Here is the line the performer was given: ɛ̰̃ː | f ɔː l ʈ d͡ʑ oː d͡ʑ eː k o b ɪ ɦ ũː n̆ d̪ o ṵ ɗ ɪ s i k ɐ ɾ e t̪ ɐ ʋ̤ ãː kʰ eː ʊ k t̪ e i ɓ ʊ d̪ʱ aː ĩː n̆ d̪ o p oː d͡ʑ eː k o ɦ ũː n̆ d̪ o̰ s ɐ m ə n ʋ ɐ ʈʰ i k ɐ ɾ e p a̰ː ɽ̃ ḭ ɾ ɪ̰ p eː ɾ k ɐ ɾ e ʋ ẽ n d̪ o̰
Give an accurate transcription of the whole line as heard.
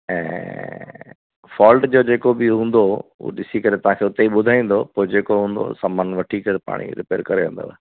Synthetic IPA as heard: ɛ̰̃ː | f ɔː l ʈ d͡ʑ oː d͡ʑ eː k o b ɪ ɦ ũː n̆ d̪ o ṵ ɗ ɪ s i k ɐ ɾ e t̪ ɐ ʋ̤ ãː kʰ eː ʊ t̪ e i ɓ ʊ d̪ʱ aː ĩː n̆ d̪ o p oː d͡ʑ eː k o ɦ ũː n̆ d̪ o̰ s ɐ m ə n ʋ ɐ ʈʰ i k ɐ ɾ e p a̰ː ɽ̃ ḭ ɾ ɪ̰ p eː ɾ k ɐ ɾ e ʋ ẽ n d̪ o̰